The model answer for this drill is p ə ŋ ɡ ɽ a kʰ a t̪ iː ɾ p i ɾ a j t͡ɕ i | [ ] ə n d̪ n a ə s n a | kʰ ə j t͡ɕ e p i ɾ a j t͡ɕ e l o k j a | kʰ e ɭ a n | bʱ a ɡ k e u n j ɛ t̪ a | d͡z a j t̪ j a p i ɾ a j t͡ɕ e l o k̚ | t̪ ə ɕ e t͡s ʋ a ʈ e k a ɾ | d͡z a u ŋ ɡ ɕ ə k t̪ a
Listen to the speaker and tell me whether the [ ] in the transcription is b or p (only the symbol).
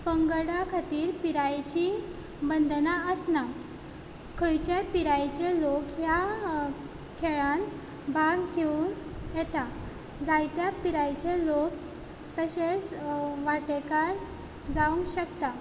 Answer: b